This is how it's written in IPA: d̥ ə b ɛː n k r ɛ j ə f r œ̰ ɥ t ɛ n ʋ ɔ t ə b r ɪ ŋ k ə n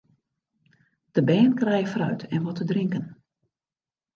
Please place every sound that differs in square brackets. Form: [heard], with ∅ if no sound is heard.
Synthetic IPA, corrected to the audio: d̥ ə b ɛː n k r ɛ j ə f r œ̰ ɥ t ɛ n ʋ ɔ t ə [d] r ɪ ŋ k ə n